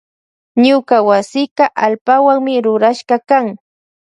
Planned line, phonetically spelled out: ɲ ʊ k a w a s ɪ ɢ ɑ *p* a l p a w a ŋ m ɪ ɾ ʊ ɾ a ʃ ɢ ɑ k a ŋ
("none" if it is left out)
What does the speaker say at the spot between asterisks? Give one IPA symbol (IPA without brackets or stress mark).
ʔ